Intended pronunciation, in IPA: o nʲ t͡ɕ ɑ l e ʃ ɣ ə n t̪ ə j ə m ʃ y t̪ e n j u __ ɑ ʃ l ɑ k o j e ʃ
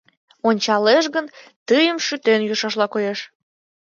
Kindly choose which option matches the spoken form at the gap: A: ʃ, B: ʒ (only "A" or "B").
A